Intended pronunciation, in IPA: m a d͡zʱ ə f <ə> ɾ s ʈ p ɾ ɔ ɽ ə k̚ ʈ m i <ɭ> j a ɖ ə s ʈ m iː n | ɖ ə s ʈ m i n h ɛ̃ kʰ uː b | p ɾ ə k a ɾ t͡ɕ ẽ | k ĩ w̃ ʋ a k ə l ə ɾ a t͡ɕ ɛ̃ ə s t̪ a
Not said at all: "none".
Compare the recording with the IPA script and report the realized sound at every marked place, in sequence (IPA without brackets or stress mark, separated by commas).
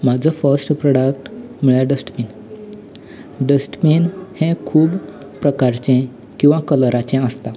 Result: ə, ɭ